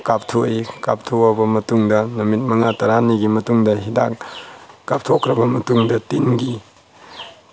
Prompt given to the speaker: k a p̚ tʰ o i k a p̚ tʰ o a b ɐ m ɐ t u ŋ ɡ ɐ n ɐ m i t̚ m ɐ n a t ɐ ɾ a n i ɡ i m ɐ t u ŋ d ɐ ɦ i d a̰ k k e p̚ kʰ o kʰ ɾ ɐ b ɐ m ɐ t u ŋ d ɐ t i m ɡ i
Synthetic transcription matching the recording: k a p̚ tʰ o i k a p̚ tʰ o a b ɐ m ɐ t u ŋ d ɐ n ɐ m i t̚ m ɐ ŋ a t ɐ ɾ a n i ɡ i m ɐ t u ŋ d ɐ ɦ i d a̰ k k a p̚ tʰ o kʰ ɾ ɐ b ɐ m ɐ t u ŋ d ɐ t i n ɡ i